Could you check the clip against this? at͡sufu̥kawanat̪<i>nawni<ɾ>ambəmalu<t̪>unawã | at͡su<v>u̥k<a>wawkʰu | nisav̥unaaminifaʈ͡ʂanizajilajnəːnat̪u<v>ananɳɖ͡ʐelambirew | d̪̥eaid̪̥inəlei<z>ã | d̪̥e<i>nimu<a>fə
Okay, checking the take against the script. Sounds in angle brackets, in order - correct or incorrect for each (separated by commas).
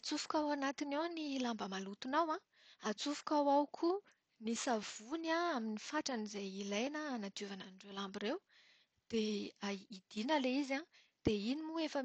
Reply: correct, incorrect, correct, incorrect, correct, correct, correct, correct, incorrect